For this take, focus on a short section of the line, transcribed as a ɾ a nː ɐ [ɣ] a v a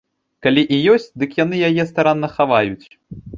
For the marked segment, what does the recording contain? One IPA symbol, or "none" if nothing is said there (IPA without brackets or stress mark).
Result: x